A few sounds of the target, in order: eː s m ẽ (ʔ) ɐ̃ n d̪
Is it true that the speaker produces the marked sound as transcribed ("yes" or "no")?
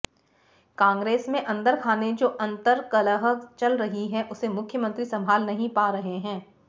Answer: yes